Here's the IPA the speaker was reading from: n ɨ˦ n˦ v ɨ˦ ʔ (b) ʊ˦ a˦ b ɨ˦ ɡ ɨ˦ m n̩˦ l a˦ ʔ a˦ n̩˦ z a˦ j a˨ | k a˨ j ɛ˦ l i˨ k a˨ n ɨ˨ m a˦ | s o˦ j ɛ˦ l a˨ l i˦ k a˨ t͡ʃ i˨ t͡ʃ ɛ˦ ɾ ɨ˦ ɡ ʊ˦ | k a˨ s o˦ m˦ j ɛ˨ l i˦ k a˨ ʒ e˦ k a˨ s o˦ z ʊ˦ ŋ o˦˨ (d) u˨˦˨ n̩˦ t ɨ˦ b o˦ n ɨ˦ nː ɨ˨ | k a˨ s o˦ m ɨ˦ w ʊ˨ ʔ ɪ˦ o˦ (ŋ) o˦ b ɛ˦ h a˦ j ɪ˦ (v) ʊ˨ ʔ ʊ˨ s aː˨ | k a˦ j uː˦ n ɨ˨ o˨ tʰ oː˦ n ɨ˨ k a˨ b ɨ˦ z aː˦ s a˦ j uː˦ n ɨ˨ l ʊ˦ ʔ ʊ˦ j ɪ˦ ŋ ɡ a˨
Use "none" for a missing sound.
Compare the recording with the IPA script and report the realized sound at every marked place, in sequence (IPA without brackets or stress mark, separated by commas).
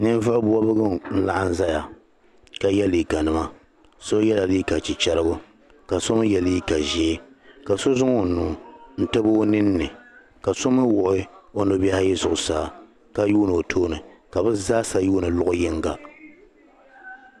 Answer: b, n, n, z